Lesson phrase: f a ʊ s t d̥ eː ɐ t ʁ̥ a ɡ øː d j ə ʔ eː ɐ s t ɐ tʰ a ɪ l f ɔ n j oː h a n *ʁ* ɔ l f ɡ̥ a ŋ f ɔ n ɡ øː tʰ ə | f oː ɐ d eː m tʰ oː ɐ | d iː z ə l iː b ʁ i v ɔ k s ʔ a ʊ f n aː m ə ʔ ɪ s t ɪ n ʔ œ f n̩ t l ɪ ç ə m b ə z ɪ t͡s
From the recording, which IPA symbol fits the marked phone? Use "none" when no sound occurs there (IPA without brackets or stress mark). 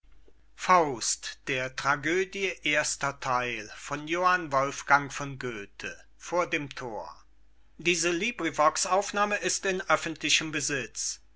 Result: v